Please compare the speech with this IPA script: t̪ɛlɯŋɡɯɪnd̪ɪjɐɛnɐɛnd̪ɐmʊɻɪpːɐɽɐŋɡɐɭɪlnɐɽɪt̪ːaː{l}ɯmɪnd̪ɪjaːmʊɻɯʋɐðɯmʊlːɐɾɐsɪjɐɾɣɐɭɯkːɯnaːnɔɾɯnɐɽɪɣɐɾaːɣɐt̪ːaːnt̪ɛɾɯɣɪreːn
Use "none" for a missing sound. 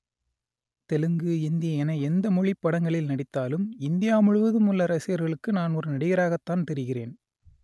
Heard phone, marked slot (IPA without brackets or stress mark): l